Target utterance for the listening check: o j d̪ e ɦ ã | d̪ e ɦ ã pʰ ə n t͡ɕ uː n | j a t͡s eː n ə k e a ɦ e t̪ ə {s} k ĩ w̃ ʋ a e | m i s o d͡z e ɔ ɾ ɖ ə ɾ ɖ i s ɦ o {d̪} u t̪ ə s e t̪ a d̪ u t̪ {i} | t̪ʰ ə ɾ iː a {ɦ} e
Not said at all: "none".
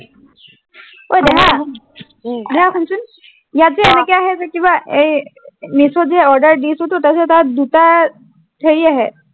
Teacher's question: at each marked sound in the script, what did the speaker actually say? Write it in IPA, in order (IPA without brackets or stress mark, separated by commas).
none, t̪, a, ɦ